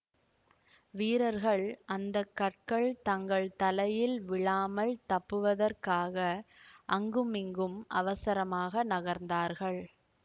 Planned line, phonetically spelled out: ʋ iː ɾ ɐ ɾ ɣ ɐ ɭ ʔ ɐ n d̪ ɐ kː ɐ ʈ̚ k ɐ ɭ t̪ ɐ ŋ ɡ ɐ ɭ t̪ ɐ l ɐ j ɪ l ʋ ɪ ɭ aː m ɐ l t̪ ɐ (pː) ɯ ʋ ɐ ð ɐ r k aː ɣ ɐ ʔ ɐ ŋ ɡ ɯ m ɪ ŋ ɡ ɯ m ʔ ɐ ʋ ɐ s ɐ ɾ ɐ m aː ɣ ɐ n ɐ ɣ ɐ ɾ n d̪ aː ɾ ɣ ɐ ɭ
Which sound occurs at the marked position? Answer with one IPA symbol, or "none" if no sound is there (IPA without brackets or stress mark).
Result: pː